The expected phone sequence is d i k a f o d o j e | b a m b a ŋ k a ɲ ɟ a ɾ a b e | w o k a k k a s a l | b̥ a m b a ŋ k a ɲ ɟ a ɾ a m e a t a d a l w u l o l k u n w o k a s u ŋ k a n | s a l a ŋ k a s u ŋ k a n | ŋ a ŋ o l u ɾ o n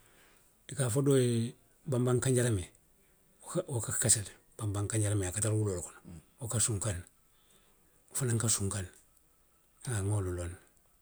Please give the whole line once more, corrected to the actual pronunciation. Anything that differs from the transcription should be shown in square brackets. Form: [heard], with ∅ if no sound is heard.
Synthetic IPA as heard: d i k a f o d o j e | b a m b a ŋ k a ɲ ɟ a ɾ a [m] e | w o k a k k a s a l | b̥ a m b a ŋ k a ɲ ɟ a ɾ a m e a [k] a [t] a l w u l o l k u n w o k a s u ŋ k a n | [f] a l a ŋ k a s u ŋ k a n | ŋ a ŋ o l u [l] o n